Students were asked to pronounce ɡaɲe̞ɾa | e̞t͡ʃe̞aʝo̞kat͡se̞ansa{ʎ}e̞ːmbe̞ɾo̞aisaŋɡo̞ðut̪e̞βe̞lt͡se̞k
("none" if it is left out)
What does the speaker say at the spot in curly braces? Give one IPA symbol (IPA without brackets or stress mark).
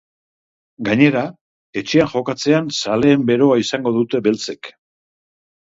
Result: l